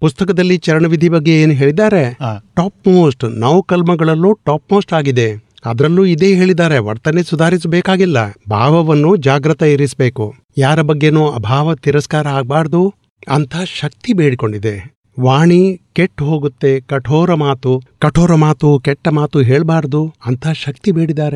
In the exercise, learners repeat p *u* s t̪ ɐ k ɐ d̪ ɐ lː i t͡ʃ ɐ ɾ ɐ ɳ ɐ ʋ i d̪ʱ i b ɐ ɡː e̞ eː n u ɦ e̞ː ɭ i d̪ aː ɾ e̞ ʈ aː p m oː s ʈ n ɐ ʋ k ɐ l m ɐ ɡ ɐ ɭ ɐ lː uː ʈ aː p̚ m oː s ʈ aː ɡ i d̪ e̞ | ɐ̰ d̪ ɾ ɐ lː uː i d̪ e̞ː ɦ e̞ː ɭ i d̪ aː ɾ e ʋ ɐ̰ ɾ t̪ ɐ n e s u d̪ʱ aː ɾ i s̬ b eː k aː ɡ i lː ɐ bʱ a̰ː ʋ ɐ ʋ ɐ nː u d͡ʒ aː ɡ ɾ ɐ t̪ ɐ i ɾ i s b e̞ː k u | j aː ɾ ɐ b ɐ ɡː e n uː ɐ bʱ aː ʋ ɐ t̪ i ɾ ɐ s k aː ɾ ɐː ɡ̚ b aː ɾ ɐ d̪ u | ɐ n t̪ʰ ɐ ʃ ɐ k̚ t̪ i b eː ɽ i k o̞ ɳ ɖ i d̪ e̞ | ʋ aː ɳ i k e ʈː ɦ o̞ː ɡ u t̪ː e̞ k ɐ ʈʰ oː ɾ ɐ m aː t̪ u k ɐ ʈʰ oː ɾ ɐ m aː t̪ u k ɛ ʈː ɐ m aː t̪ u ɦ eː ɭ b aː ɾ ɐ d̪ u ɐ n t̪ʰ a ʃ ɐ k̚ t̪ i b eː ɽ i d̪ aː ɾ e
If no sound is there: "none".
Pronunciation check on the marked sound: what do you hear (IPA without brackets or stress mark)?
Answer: u